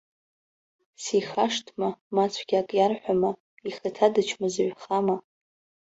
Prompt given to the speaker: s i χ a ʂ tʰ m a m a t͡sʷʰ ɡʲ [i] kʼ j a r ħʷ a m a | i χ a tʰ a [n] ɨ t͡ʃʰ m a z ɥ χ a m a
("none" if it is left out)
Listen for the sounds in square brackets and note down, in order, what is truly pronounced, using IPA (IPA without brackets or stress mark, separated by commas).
a, d